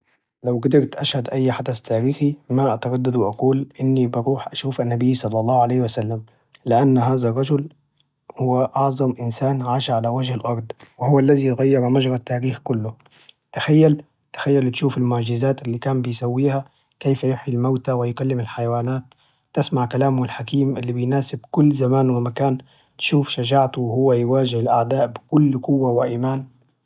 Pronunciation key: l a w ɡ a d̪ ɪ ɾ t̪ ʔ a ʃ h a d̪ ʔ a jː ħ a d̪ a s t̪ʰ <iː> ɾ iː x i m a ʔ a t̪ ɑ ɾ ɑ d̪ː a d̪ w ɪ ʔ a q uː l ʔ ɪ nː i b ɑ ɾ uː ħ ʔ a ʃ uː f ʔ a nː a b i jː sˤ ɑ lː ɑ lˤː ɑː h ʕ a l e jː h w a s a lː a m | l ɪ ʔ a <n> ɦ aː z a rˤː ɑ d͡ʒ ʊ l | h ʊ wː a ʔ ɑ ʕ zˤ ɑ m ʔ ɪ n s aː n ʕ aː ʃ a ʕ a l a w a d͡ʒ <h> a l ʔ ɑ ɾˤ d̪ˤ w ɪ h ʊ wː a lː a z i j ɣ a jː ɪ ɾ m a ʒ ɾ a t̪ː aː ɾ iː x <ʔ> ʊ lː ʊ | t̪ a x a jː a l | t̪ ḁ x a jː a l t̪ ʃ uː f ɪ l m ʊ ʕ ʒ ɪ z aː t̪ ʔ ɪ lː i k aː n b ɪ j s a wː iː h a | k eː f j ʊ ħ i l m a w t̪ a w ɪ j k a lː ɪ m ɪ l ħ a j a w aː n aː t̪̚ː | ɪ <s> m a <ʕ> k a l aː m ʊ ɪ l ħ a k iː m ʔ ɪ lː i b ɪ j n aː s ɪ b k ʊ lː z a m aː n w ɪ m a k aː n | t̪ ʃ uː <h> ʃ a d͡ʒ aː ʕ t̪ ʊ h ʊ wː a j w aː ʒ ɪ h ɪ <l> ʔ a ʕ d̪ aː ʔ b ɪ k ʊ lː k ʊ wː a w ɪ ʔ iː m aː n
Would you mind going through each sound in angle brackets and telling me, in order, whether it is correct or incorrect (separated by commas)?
incorrect, incorrect, correct, incorrect, correct, correct, incorrect, correct